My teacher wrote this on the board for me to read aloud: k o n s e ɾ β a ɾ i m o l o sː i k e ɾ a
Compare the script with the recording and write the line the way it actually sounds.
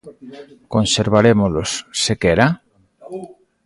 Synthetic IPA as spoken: k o n s e ɾ β a ɾ e m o l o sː e k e ɾ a